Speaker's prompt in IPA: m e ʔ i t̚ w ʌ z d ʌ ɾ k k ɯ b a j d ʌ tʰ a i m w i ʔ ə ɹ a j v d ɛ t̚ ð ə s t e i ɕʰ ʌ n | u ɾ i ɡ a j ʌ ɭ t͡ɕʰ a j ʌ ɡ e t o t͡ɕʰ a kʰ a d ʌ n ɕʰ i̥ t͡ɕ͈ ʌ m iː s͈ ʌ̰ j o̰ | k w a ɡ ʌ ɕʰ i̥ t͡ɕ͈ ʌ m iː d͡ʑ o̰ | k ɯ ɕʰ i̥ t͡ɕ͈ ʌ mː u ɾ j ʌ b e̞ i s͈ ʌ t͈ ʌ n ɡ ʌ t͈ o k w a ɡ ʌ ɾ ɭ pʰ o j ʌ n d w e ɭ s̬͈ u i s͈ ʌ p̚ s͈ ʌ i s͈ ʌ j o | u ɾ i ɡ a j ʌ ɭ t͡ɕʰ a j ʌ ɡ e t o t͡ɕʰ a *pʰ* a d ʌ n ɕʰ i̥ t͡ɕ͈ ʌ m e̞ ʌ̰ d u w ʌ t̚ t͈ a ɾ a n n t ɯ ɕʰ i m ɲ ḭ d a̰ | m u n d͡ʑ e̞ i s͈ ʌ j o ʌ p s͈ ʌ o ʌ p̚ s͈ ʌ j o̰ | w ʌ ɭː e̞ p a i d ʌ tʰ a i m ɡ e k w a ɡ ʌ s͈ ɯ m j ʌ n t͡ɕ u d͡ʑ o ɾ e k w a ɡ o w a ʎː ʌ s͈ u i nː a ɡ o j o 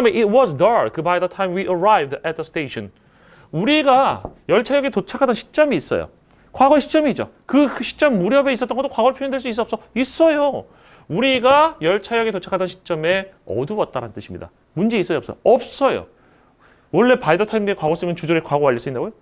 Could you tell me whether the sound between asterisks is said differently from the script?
yes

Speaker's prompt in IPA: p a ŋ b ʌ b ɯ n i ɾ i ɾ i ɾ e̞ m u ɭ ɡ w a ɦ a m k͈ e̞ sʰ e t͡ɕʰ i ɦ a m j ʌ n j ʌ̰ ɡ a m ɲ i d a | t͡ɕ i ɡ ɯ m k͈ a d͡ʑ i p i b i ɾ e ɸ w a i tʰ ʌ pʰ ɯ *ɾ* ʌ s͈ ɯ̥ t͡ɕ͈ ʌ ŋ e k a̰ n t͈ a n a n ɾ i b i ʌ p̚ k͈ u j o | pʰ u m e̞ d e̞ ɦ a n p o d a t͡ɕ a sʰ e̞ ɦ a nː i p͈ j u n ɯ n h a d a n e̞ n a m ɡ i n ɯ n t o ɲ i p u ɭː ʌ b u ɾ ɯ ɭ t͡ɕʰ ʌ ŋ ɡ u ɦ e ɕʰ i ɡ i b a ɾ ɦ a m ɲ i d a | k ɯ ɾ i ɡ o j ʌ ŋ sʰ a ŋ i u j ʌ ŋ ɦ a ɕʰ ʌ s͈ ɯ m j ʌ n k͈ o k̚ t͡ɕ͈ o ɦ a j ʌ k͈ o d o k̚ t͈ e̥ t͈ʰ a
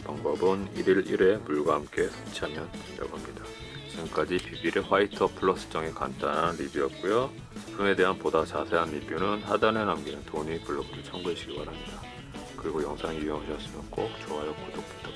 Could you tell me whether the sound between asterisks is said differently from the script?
yes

